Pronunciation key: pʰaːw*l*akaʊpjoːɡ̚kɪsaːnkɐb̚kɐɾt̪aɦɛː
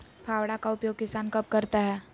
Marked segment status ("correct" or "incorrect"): incorrect